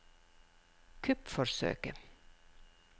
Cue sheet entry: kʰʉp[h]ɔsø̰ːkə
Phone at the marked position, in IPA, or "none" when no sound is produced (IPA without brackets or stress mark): f